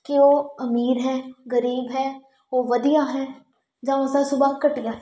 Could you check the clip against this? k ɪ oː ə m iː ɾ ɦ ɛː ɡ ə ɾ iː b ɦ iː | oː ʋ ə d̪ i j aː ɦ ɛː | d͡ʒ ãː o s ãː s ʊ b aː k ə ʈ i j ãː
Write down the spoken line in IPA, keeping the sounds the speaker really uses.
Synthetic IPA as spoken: k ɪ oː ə m iː ɾ ɦ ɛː ɡ ə ɾ iː b ɦ ɛː | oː ʋ ə d̪ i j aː ɦ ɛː | d͡ʒ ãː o s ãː s ʊ b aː k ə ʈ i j aː